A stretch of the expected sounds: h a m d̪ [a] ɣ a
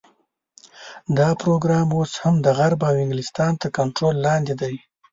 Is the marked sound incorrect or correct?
incorrect